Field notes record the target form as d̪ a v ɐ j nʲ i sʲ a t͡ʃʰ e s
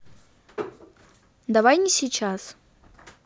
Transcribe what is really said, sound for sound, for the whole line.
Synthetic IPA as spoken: d̪ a v a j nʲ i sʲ i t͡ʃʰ a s